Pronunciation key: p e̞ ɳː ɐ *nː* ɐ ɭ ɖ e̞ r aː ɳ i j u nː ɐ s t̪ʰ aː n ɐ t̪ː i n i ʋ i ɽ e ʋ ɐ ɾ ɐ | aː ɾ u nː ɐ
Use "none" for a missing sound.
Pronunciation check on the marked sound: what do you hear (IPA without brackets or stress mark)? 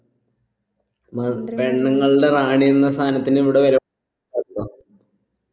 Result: ŋː